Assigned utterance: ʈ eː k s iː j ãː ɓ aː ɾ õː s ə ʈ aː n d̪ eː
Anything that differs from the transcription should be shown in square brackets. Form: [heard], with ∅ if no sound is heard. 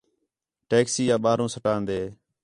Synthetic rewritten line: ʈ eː k s iː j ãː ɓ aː ɾ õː s ə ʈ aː n d̪ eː